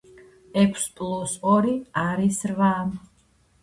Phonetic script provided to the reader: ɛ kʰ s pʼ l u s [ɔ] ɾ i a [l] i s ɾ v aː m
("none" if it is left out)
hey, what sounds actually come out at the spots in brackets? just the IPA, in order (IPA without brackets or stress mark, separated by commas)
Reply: ɔ, ɾ